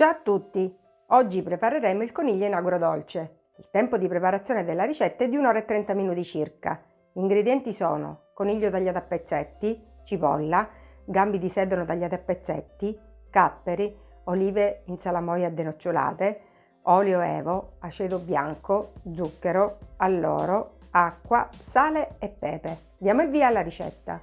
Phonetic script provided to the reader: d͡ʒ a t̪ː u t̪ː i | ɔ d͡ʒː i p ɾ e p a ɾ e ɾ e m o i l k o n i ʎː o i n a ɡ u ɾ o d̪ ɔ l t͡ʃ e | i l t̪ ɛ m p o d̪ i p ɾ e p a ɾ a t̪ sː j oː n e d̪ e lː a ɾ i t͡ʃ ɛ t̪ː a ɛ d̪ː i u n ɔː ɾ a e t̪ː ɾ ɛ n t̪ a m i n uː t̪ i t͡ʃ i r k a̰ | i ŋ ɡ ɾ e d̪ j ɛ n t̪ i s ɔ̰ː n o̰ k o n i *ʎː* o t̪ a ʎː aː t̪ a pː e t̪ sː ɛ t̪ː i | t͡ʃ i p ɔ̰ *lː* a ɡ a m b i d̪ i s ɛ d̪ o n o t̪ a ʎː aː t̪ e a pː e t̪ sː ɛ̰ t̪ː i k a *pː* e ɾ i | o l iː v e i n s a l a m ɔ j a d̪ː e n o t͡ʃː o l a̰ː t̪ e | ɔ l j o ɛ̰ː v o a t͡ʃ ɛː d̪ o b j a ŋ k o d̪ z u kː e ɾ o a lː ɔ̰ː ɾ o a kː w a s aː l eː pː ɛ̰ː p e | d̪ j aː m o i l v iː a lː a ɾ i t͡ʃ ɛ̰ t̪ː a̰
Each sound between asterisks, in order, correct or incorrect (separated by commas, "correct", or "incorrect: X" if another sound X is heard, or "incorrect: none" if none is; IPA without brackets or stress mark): correct, correct, correct